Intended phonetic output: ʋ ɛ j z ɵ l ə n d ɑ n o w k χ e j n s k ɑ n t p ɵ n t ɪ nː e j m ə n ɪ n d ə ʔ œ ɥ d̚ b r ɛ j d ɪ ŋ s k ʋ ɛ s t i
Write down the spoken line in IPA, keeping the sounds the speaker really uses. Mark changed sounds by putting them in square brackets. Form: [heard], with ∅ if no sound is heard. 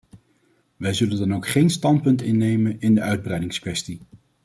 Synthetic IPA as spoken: ʋ ɛ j z ɵ l ə n d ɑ n o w k χ e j n s [t] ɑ n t p ɵ n t ɪ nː e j m ə n ɪ n d ə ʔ œ ɥ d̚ b r ɛ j d ɪ ŋ s k ʋ ɛ s t i